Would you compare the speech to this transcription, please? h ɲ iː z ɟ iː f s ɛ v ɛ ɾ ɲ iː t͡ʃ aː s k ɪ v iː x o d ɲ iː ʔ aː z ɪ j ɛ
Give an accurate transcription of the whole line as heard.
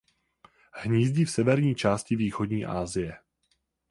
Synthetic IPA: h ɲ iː z ɟ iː f s ɛ v ɛ ɾ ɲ iː t͡ʃ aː s c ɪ v iː x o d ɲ iː ʔ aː z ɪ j ɛ